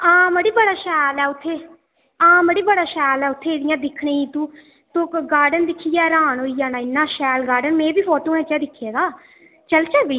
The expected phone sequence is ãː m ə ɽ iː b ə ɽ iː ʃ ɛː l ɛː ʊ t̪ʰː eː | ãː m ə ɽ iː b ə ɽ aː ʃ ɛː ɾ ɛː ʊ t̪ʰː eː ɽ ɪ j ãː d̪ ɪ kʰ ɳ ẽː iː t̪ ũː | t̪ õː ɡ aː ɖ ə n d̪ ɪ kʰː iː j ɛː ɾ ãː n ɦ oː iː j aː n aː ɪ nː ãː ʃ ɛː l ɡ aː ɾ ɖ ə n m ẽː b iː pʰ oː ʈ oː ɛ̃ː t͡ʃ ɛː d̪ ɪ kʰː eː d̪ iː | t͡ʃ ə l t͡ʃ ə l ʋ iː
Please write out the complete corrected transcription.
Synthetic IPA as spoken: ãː m ə ɽ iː b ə ɽ aː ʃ ɛː l ɛː ʊ t̪ʰː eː | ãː m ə ɽ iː b ə ɽ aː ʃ ɛː l ɛː ʊ t̪ʰː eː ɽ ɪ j ãː d̪ ɪ kʰ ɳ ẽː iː t̪ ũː | t̪ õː ɡ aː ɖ ə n d̪ ɪ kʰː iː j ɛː ɾ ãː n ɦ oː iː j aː n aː ɪ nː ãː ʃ ɛː l ɡ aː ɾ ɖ ə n m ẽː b iː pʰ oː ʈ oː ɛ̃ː t͡ʃ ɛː d̪ ɪ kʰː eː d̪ aː | t͡ʃ ə l t͡ʃ ə l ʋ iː